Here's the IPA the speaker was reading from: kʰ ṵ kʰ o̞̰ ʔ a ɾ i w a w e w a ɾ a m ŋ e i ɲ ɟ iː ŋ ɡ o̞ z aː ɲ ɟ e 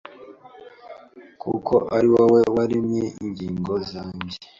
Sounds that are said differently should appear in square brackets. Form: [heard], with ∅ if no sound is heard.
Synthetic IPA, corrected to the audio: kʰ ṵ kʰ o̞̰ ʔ a ɾ i w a w e w a ɾ [i] m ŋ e i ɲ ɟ iː ŋ ɡ o̞ z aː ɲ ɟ e